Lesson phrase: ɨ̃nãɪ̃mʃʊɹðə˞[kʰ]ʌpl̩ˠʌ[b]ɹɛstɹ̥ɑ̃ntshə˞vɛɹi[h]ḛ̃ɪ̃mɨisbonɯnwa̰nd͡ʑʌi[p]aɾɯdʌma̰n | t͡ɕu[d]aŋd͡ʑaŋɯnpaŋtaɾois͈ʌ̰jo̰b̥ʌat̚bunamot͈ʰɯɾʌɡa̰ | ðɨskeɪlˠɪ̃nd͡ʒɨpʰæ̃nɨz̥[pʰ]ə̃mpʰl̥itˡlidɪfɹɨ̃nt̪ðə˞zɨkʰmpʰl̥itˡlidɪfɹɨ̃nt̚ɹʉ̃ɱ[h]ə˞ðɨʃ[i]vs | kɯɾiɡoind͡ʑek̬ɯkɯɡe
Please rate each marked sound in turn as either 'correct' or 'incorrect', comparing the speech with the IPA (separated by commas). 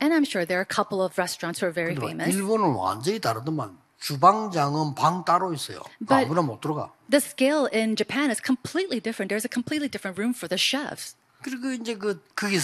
correct, incorrect, incorrect, incorrect, incorrect, incorrect, incorrect, incorrect